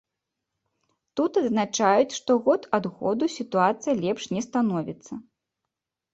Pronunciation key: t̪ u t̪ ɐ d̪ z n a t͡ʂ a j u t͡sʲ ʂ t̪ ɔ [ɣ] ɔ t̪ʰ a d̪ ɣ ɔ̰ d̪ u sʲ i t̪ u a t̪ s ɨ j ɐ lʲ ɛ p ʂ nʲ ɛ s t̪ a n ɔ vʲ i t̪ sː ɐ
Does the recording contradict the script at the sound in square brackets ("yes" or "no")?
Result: no